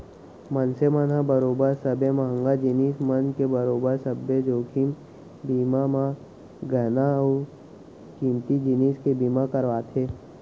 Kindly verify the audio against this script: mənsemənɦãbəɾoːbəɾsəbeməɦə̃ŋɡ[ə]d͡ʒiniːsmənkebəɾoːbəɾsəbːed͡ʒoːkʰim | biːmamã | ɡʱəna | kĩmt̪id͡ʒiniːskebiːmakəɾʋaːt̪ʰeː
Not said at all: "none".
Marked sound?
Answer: a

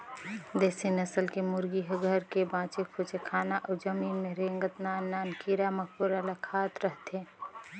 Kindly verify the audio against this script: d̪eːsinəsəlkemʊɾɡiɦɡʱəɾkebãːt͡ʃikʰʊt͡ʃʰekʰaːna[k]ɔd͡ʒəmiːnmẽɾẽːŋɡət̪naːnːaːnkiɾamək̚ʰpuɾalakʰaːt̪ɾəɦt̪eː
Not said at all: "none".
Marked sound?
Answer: ʔ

